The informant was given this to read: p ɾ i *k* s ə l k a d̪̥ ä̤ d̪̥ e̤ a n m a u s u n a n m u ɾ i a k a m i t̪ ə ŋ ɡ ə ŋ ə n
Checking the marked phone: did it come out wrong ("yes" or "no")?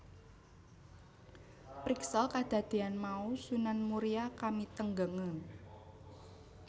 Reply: no